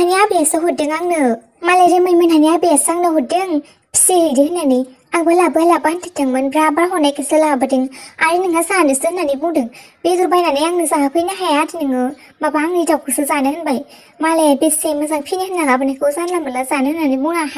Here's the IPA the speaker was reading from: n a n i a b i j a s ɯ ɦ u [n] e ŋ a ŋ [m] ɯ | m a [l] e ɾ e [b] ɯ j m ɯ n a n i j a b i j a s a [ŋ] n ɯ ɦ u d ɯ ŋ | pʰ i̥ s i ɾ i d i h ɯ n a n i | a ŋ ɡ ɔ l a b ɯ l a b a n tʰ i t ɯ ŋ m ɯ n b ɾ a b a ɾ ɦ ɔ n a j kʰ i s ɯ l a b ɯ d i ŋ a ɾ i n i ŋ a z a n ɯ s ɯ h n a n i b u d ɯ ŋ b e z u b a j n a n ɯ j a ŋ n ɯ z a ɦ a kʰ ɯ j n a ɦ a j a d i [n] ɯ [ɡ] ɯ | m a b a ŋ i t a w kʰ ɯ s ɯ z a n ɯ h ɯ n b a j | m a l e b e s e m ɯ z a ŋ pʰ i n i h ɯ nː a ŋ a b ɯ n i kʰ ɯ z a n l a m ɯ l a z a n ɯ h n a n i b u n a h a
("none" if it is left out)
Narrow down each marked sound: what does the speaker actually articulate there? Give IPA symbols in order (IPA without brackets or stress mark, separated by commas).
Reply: d, n, l, m, ŋ, n, ŋ